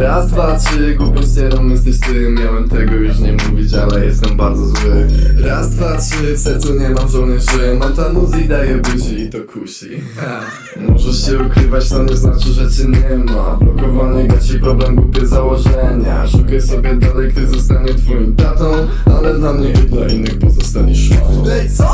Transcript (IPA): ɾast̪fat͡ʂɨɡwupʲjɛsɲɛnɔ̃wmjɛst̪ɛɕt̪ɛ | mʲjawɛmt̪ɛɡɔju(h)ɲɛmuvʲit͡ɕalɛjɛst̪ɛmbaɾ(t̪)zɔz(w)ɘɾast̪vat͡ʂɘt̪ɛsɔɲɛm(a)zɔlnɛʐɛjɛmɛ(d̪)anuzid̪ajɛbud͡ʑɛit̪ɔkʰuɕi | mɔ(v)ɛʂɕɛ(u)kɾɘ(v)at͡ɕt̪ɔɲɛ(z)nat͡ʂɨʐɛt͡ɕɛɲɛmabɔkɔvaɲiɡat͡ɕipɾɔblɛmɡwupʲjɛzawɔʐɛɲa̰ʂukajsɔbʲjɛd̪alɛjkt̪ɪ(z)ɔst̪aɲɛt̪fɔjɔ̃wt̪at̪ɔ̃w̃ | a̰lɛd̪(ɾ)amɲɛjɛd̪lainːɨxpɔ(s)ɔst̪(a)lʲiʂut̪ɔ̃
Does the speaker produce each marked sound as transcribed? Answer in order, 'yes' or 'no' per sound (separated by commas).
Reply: no, no, yes, yes, no, no, yes, yes, yes, yes, no, no, yes